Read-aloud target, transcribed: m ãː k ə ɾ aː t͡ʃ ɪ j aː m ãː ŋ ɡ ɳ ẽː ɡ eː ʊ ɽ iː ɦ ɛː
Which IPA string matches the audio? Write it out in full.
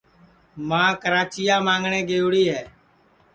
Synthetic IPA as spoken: m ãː k ə ɾ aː t͡ʃ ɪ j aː m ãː ŋ ɡ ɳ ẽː ɡ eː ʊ ɽ iː ɦ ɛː